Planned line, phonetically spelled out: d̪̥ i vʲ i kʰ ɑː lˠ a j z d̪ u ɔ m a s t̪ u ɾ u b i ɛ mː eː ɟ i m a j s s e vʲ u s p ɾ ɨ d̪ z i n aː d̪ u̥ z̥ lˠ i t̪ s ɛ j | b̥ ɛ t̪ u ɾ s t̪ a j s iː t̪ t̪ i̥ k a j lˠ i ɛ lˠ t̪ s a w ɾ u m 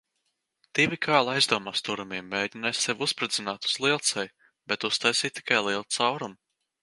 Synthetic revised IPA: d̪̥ i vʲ i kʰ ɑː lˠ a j z d̪ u ɔ m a s t̪ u ɾ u m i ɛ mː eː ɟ i n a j s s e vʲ u s p ɾ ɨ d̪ z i n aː t̪ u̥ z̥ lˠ i t̪ s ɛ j | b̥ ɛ t̪ u s t̪ a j s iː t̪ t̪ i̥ k a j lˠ i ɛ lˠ t̪ s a w ɾ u m